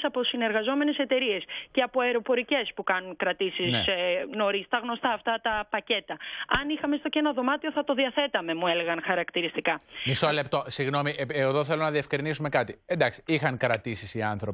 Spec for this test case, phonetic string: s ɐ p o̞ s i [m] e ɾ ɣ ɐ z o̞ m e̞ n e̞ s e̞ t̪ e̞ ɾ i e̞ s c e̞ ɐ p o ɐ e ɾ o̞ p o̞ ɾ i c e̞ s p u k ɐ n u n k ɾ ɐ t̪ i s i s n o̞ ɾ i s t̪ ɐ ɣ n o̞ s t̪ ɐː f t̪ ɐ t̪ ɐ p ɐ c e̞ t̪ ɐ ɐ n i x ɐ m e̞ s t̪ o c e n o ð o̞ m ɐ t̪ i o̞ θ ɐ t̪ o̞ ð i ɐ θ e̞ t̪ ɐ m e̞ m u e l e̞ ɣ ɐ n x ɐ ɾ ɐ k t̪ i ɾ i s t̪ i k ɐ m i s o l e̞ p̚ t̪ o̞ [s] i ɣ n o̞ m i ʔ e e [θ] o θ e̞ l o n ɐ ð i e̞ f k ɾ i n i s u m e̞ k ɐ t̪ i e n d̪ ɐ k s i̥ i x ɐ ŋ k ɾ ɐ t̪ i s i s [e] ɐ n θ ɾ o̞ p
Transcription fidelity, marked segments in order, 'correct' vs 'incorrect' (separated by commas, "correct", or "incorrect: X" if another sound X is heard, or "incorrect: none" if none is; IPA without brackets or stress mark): incorrect: n, correct, incorrect: ð, incorrect: i